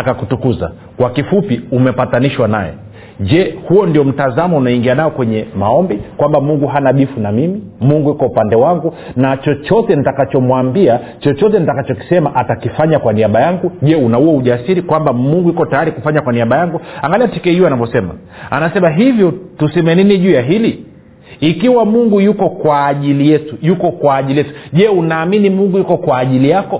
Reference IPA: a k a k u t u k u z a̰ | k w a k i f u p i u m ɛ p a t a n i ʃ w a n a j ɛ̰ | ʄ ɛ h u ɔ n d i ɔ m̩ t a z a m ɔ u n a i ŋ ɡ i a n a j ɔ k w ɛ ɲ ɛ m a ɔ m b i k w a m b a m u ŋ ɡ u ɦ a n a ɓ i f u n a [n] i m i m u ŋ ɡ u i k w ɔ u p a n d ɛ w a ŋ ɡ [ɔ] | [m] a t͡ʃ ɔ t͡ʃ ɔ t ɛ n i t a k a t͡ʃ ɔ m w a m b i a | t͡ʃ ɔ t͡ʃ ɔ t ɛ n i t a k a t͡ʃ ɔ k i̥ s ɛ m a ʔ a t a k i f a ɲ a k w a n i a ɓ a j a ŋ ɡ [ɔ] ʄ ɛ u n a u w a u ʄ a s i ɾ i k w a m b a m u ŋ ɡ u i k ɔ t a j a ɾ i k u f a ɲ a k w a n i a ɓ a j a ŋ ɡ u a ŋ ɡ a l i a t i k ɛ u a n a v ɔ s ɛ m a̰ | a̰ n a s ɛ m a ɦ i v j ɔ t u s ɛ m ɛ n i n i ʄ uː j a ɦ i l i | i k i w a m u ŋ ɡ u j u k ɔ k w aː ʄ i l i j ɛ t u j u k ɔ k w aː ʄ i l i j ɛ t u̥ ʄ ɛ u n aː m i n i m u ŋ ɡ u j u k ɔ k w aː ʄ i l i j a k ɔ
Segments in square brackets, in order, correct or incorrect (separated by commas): incorrect, incorrect, incorrect, incorrect